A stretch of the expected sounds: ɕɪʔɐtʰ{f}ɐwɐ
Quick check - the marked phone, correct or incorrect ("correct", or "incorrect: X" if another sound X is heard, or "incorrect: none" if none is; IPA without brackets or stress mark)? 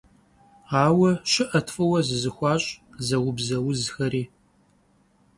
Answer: correct